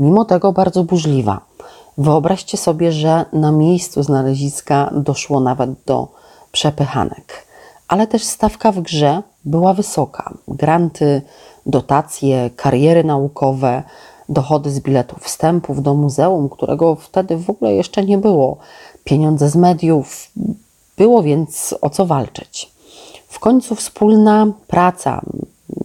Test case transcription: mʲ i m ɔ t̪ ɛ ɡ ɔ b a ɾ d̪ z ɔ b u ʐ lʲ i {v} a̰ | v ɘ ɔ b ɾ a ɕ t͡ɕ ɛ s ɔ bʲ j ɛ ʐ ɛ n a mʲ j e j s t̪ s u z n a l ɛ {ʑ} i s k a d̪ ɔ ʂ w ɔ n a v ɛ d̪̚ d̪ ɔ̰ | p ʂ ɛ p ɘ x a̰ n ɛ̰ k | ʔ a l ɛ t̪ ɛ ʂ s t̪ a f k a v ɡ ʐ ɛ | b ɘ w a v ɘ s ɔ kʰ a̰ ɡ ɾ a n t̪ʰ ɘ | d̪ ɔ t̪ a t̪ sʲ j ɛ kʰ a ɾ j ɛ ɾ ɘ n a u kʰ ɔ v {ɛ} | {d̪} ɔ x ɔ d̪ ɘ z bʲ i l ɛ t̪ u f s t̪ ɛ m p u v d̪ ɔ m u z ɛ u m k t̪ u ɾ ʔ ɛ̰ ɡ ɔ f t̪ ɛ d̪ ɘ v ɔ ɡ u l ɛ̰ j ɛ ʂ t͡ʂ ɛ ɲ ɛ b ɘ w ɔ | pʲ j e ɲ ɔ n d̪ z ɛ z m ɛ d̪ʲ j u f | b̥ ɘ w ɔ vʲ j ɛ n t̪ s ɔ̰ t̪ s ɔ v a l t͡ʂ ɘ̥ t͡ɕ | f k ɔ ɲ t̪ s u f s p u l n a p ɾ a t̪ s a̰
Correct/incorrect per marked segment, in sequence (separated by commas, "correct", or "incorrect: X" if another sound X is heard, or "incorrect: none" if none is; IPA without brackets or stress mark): correct, correct, correct, correct